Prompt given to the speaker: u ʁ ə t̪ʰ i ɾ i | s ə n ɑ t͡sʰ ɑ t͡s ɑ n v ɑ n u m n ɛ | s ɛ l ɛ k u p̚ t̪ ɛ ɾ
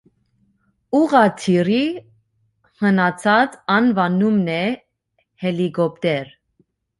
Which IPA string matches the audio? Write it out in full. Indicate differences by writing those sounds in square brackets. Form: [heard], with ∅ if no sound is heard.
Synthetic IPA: u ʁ [ɑ] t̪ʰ i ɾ i | [h] ə n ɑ t͡sʰ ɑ t͡s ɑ n v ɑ n u m n ɛ | [h] ɛ l [i] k [ɔ] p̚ t̪ ɛ ɾ